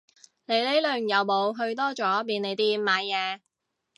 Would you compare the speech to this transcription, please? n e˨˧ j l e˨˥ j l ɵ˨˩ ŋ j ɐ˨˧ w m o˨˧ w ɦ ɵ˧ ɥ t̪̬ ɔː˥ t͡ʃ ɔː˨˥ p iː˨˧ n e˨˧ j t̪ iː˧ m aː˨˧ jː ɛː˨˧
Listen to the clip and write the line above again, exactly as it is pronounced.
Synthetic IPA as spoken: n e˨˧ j l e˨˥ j l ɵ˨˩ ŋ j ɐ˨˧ w m o˨˧ w ɦ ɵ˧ ɥ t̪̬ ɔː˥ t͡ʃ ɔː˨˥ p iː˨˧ n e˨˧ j t̪ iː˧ m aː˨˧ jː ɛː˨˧